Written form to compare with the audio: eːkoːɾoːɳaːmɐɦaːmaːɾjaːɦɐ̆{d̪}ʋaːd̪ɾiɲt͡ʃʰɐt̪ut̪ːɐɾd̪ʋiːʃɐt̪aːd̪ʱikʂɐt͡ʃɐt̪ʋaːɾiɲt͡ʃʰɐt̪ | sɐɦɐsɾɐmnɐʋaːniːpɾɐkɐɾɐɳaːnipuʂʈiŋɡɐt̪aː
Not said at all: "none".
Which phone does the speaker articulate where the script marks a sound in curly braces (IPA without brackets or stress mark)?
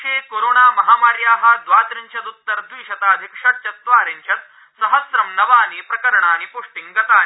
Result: d̪